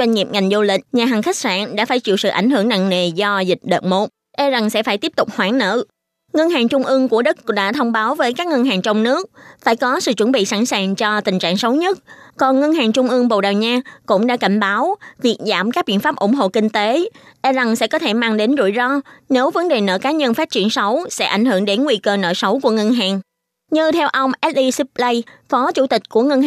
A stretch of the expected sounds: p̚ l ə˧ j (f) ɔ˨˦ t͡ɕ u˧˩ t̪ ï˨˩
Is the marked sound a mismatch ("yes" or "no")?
no